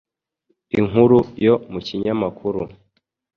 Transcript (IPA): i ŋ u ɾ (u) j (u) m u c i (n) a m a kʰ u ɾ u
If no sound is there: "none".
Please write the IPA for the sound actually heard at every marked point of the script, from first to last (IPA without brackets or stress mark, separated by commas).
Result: u, o, ɲ